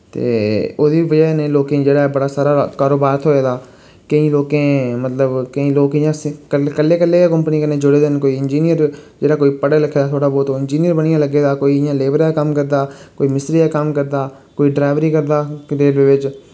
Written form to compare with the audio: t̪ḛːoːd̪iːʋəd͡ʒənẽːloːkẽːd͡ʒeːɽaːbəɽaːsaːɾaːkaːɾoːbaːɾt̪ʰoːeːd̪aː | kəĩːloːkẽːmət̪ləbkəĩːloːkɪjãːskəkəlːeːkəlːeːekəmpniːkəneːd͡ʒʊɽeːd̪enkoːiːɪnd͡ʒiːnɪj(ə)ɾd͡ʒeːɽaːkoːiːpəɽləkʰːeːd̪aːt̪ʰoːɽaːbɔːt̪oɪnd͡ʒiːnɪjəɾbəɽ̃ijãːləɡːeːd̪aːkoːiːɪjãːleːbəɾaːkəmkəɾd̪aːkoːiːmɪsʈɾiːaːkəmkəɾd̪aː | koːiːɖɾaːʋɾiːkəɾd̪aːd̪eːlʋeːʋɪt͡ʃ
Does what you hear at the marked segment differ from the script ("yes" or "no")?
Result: no